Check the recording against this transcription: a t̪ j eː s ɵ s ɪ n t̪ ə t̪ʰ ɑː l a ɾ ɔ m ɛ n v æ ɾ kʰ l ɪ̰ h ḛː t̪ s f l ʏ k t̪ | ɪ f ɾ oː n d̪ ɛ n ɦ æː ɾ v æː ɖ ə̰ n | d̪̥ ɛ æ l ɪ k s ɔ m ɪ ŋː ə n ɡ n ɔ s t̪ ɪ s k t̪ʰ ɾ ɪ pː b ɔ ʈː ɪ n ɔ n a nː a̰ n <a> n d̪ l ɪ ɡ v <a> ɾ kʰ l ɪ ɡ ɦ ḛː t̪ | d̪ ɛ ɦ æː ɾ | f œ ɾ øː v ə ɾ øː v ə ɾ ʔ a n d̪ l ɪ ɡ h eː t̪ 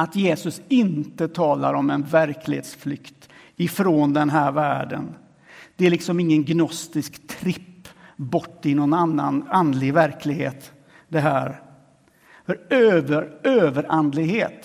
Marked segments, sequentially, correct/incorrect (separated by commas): correct, incorrect